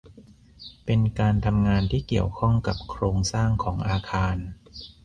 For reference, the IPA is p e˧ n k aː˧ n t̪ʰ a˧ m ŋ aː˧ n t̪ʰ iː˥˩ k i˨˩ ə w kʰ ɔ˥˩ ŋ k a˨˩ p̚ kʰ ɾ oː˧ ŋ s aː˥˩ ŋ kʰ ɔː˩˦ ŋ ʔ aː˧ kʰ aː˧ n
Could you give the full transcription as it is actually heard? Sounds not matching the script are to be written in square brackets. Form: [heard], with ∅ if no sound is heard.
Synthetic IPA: p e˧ n k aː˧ n t̪ʰ a˧ m ŋ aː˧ n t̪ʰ iː˥˩ k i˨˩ ə w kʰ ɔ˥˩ ŋ k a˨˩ p̚ kʰ ɾ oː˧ ŋ s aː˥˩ ŋ kʰ ɔː˩˦ ŋ ʔ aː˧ kʰ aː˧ n

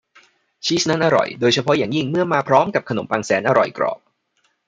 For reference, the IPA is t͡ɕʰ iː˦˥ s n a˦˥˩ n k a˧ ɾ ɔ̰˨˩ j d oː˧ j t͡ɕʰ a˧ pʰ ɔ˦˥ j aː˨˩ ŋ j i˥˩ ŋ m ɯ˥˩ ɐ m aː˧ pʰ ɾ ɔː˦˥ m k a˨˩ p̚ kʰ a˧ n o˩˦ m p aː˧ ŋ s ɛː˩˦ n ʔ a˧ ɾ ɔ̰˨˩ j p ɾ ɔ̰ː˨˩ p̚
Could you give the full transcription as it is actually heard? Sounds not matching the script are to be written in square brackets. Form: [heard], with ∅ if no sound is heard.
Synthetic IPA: t͡ɕʰ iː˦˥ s n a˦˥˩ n [ʔ] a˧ ɾ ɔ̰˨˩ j d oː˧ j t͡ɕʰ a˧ pʰ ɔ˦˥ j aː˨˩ ŋ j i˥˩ ŋ m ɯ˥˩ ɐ m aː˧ pʰ ɾ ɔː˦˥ m k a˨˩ p̚ kʰ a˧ n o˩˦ m p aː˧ ŋ s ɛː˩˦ n ʔ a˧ ɾ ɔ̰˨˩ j [k] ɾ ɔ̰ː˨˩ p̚

